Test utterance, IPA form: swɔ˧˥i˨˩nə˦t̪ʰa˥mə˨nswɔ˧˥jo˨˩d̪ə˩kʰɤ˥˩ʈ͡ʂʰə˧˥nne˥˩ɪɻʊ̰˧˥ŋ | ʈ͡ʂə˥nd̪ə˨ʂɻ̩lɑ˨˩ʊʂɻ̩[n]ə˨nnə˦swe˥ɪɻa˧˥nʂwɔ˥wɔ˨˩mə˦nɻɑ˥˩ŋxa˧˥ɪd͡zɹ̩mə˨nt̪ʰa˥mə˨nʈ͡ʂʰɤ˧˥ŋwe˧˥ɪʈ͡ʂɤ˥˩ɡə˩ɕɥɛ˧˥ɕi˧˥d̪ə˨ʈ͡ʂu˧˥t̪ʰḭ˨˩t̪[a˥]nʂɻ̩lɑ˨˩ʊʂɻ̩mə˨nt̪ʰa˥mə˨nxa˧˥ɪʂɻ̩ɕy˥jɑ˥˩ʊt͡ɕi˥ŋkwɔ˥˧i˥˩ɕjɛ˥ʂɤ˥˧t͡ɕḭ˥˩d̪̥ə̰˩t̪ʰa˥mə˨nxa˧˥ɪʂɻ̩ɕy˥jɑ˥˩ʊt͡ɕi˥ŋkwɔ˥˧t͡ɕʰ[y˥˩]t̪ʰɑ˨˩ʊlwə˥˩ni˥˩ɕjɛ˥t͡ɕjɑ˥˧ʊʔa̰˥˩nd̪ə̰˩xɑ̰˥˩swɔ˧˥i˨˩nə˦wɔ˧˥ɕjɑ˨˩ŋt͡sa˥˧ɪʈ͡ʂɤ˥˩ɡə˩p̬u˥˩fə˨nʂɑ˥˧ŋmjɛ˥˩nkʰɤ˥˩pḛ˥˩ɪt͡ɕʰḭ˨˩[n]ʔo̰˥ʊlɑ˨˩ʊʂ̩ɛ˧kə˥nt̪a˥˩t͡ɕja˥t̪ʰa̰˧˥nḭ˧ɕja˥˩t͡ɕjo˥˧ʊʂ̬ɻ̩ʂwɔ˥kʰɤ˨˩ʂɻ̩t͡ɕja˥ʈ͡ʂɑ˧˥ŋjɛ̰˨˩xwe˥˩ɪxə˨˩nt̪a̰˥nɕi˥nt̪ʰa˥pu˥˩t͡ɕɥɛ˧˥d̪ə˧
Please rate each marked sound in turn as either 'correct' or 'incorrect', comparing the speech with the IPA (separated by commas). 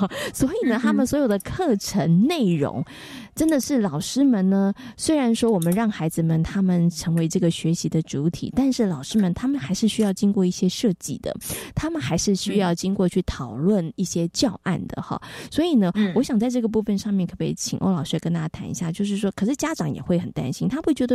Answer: incorrect, incorrect, correct, incorrect